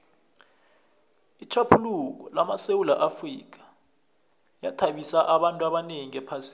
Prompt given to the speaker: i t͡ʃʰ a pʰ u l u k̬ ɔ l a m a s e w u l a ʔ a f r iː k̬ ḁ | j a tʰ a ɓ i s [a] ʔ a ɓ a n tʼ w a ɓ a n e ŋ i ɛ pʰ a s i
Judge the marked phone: correct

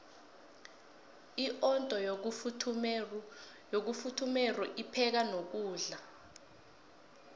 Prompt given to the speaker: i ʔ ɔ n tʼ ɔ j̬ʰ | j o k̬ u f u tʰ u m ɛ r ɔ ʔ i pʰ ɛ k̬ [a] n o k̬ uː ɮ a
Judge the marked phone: correct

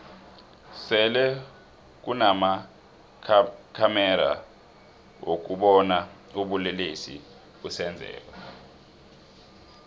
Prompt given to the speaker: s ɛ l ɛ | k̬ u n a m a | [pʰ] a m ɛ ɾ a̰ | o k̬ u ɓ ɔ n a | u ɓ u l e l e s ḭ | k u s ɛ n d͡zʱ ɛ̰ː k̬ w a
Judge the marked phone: incorrect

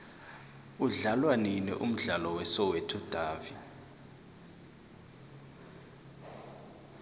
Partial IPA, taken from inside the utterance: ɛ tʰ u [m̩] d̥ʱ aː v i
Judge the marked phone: incorrect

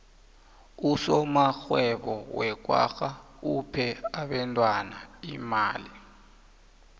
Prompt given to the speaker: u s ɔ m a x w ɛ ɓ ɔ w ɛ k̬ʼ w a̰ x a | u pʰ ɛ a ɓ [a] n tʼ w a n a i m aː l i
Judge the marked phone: incorrect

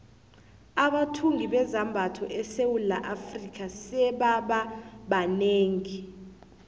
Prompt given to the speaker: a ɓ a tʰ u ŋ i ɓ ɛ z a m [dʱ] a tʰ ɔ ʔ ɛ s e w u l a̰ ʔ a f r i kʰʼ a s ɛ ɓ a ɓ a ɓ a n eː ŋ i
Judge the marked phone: incorrect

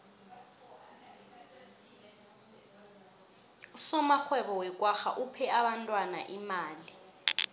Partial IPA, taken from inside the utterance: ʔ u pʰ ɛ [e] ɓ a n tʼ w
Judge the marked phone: incorrect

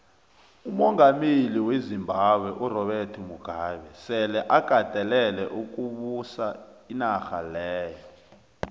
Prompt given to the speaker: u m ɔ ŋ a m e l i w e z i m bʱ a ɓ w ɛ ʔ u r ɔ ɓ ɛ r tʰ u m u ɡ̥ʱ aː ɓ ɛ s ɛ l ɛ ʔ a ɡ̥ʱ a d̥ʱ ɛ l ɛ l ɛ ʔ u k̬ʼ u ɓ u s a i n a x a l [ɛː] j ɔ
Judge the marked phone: correct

